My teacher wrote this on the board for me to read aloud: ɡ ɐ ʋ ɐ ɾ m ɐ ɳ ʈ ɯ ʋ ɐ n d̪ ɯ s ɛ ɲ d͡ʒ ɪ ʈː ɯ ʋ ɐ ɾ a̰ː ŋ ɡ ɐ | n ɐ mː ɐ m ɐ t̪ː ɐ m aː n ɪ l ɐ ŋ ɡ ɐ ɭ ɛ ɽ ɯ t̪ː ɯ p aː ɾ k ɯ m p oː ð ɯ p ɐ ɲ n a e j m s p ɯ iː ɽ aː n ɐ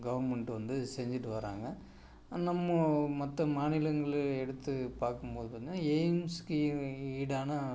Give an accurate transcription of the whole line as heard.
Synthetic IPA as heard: ɡ ɐ ʋ ɐ ɾ m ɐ ɳ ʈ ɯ ʋ ɐ n d̪ ɯ s ɛ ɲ d͡ʒ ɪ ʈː ɯ ʋ ɐ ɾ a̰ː ŋ ɡ ɐ | n ɐ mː ɐ m ɐ t̪ː ɐ m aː n ɪ l ɐ ŋ ɡ ɐ ɭ ɛ ɽ ɯ t̪ː ɯ p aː ɾ k ɯ m p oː ð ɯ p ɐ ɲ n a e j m s k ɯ iː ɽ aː n ɐ